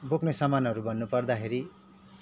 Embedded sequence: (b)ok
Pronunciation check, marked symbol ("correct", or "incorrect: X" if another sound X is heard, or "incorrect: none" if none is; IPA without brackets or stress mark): correct